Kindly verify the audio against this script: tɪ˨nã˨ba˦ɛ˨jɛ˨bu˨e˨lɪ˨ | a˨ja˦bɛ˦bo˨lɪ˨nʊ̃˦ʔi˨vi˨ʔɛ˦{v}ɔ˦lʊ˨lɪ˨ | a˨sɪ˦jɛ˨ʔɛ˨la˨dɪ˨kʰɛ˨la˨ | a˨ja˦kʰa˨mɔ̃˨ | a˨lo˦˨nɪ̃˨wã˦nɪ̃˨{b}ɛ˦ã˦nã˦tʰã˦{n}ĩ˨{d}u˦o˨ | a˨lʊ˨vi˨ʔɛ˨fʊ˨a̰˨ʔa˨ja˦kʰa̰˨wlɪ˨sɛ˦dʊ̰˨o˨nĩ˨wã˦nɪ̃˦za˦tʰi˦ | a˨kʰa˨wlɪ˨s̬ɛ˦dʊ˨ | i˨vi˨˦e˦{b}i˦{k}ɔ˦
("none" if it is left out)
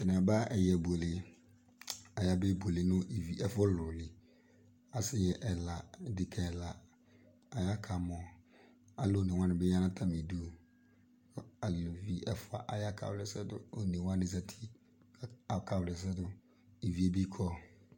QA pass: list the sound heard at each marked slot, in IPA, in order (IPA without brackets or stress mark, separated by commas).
f, b, m, d, b, kʰ